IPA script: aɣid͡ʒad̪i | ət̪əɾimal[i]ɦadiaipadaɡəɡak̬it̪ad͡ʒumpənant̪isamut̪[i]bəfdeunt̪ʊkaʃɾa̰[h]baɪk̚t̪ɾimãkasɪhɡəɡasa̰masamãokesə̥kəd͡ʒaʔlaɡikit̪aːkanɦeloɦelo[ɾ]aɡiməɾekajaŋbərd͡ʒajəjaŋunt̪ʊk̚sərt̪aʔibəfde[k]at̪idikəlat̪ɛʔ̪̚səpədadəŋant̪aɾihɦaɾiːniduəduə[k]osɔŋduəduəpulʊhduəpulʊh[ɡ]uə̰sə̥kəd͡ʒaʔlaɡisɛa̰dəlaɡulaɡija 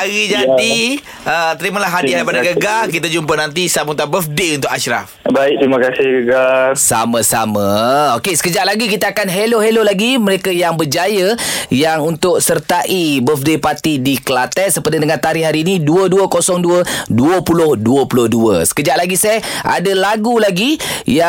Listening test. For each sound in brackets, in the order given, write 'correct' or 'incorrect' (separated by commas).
incorrect, incorrect, incorrect, incorrect, incorrect, correct, incorrect